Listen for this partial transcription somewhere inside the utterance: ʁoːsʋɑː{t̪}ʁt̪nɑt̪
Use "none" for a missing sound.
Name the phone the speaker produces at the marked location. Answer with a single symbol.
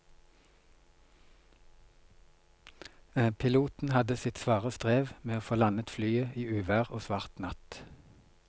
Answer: none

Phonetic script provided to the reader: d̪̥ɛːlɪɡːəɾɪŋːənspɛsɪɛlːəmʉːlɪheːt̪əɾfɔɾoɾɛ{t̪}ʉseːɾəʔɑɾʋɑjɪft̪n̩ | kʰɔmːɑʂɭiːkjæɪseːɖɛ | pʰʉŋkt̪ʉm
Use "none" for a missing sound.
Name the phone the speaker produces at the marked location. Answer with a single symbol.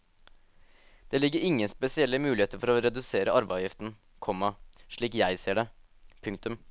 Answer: d̪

